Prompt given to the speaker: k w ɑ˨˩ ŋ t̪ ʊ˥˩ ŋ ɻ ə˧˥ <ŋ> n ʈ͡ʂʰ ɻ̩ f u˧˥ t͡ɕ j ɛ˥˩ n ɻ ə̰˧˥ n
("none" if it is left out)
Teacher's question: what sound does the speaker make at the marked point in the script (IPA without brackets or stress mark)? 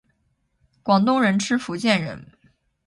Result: none